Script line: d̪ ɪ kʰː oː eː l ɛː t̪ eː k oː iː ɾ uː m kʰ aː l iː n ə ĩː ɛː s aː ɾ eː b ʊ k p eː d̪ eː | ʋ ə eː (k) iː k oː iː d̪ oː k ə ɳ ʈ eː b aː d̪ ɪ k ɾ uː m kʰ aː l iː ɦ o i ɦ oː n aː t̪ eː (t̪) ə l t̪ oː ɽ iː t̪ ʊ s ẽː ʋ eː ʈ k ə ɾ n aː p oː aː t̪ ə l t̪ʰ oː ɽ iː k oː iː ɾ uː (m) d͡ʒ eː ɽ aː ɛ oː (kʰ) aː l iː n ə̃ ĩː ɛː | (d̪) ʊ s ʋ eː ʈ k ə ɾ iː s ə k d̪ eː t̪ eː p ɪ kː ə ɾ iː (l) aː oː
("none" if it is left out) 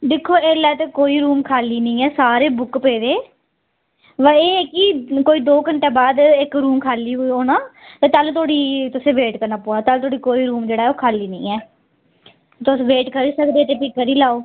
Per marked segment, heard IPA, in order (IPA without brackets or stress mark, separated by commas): k, t̪, m, kʰ, t̪, l